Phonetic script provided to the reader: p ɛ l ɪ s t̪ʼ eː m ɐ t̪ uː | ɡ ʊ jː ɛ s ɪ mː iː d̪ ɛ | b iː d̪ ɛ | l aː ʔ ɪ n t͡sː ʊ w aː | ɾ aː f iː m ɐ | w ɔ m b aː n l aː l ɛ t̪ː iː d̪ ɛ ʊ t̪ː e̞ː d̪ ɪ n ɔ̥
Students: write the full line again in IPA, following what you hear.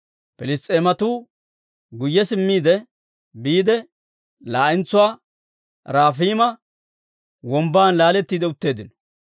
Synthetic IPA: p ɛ l ɪ s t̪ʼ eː m ɐ t̪ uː | ɡ ʊ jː ɛ s ɪ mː iː d̪ ɛ | b iː d̪ ɛ | l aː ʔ ɪ n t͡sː ʊ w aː | ɾ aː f iː m ɐ | w ɔ m b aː n l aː l ɛ t̪ː iː d̪ ɛ ʊ t̪ː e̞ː d̪ ɪ n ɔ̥